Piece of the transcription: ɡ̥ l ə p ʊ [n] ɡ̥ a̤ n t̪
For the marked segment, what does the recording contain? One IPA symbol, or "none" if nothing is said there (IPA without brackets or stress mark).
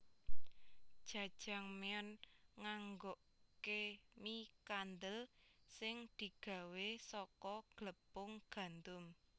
ŋ